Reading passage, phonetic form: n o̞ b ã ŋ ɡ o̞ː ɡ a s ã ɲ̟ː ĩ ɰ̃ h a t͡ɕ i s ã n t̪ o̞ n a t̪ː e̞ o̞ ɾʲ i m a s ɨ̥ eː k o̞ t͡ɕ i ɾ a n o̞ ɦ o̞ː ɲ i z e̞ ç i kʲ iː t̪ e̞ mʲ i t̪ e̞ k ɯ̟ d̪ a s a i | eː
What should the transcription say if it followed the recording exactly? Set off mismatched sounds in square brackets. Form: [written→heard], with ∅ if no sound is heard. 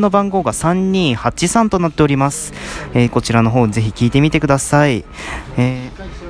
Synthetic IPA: n o̞ b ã ŋ ɡ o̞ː ɡ a s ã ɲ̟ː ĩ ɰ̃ h a t͡ɕ i s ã n t̪ o̞ n a t̪ː e̞ o̞ ɾʲ i m a s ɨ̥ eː k o̞ t͡ɕ i ɾ a n o̞ ɦ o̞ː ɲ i z e̞ ç i kʲ iː t̪ e̞ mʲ i t̪ e̞ k ɯ̟ d̪ a s a i | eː